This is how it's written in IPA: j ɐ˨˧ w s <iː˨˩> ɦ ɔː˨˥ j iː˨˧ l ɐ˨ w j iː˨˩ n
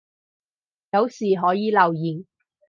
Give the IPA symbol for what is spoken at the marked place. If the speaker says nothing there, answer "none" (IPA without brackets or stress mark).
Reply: iː˨˩